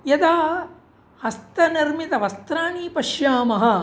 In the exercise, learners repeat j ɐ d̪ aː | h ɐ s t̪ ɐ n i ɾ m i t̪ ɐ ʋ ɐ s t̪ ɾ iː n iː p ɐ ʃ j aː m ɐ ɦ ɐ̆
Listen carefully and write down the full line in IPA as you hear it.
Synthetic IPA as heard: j ɐ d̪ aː | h ɐ s t̪ ɐ n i ɾ m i t̪ ɐ ʋ ɐ s t̪ ɾ aː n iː p ɐ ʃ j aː m ɐ ɦ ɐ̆